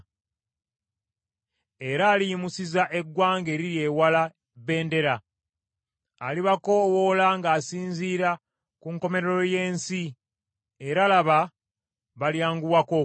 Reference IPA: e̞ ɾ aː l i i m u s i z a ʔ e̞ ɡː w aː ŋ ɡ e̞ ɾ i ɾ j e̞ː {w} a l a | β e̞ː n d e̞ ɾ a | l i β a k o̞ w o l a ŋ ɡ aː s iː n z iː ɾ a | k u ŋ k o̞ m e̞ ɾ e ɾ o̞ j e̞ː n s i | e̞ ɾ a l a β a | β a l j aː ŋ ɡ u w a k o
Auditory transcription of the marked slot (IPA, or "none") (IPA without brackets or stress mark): w